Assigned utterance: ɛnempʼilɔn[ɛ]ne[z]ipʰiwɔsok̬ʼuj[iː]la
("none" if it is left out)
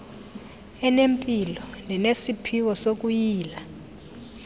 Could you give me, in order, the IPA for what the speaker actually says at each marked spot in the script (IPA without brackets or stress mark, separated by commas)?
ɛ, s, iː